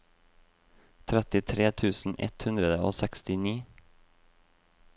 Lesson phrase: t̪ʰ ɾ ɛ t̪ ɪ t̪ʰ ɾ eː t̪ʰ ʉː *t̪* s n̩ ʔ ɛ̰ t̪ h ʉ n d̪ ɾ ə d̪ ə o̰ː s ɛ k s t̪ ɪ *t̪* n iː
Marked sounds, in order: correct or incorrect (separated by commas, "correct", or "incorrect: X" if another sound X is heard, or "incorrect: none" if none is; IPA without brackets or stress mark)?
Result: incorrect: none, incorrect: none